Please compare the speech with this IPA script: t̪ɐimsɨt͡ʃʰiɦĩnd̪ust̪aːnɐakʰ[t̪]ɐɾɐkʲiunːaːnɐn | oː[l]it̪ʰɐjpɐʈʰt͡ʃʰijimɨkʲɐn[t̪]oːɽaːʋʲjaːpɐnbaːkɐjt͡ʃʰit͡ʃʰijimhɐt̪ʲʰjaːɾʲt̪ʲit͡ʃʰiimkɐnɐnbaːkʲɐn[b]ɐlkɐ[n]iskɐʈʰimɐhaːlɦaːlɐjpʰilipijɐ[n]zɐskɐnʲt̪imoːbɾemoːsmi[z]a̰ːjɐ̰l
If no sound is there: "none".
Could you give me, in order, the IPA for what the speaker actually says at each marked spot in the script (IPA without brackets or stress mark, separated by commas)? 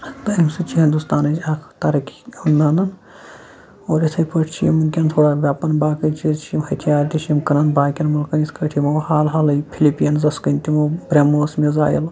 t̪, ɾ, t̪ʰ, m, n, n, z